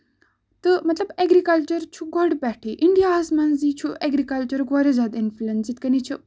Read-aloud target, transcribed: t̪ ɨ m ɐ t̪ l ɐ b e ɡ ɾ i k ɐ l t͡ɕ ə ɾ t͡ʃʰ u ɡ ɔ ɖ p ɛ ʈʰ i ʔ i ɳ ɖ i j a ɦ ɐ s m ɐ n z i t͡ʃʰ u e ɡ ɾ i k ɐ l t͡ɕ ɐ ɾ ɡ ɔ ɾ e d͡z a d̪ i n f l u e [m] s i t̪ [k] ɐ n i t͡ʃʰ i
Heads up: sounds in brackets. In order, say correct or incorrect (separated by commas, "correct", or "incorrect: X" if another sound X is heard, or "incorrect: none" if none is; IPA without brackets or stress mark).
incorrect: n, correct